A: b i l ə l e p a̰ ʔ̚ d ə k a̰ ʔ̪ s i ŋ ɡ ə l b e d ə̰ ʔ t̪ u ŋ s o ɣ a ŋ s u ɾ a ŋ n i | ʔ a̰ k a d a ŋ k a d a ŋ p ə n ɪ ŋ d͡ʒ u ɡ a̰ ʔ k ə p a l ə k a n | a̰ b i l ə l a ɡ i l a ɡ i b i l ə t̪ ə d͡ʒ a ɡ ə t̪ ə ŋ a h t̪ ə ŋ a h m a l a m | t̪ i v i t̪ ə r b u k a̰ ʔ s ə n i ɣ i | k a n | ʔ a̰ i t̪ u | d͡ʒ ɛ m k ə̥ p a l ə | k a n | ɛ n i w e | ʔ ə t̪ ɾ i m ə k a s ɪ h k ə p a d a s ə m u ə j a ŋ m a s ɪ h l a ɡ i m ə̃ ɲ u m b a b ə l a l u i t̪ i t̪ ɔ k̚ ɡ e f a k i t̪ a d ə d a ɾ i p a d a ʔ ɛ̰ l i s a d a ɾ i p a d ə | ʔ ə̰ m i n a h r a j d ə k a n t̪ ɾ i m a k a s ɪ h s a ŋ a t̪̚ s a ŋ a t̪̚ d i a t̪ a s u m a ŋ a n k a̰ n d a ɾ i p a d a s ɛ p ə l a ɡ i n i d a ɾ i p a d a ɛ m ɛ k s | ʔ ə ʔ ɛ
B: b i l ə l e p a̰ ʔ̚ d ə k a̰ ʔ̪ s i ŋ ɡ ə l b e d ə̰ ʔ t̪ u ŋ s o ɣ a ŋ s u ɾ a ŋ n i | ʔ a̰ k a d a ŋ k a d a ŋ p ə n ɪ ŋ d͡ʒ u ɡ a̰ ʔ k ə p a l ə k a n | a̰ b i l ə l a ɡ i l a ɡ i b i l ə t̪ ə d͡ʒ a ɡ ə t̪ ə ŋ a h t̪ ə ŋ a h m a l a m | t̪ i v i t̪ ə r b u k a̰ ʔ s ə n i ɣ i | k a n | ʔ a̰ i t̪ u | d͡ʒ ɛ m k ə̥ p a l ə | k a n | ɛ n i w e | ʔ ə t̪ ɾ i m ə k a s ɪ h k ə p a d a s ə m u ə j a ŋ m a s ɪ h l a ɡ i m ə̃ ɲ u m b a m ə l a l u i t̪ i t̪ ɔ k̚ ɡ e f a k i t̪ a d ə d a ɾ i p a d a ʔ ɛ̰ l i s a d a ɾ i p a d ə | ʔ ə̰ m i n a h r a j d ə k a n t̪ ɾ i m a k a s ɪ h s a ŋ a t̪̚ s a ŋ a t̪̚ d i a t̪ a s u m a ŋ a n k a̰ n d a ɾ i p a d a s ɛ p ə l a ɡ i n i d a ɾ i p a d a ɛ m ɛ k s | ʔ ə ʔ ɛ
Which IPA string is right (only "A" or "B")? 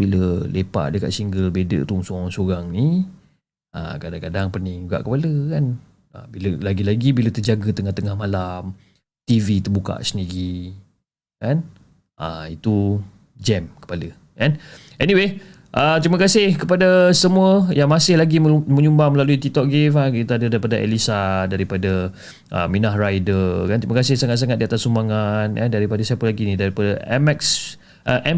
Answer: B